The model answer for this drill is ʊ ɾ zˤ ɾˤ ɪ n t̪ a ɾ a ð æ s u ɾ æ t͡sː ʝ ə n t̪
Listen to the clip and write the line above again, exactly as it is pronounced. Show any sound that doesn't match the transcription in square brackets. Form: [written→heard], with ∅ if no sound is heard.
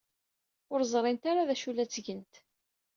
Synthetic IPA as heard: ʊ ɾ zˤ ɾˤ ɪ n t̪ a ɾ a ð æ [s→ʃ] u [ɾ→l] æ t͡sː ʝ ə n t̪